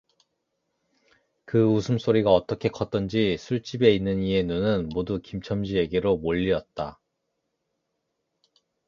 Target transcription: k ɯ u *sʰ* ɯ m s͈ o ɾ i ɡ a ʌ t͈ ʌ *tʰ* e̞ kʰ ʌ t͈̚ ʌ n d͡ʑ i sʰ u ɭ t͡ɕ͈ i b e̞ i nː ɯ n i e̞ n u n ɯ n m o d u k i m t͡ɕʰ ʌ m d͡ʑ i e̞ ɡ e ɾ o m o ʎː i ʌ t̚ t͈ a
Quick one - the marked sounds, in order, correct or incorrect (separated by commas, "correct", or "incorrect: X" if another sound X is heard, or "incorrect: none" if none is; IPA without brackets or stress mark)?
correct, incorrect: kʰ